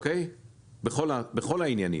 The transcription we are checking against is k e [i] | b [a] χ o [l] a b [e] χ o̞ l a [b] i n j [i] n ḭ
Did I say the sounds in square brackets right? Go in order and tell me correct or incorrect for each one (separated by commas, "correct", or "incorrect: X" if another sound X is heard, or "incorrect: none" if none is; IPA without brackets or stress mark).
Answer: incorrect: j, incorrect: e, correct, correct, incorrect: none, incorrect: a